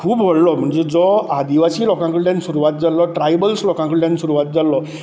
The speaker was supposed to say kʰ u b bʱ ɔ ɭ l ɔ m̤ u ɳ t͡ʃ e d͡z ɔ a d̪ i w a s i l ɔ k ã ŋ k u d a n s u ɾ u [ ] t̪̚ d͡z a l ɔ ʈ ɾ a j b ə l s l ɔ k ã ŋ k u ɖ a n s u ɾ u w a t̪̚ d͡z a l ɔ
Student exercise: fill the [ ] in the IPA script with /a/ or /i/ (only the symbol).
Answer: a